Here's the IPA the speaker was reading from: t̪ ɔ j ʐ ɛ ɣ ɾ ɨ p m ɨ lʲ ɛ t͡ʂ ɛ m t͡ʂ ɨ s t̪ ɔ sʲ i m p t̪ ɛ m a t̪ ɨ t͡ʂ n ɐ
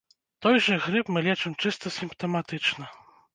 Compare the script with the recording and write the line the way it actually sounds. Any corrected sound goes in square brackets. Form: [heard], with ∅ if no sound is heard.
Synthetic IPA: t̪ ɔ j ʐ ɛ ɣ ɾ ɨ p m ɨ lʲ ɛ t͡ʂ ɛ m t͡ʂ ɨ s t̪ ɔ sʲ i m p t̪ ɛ m a t̪ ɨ t͡ʂ n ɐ